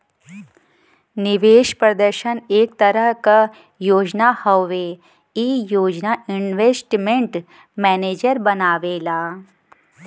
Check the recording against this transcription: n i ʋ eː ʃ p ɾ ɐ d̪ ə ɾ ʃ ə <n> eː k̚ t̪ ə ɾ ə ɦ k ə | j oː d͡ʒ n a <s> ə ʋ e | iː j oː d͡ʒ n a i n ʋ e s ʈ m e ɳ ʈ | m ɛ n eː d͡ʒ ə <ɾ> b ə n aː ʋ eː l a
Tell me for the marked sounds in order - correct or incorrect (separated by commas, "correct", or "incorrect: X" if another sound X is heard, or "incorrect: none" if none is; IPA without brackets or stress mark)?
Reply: correct, incorrect: h, correct